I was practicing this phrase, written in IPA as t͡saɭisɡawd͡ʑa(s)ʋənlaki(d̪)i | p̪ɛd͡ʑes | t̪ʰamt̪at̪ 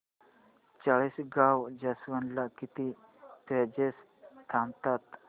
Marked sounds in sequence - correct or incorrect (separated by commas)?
correct, incorrect